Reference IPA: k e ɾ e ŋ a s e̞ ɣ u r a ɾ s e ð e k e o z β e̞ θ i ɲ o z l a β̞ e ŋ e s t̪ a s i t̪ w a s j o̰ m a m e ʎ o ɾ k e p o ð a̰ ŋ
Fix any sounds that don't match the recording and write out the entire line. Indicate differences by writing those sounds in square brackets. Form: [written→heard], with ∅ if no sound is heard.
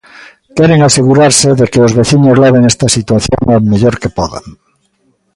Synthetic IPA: k e ɾ e ŋ a s e̞ ɣ u [r→ɾ] a ɾ s e ð e k e o z β e̞ θ i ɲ o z l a β̞ e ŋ e s t̪ a s i t̪ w a [s→θ] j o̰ [m→ŋ] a m e ʎ o ɾ k e p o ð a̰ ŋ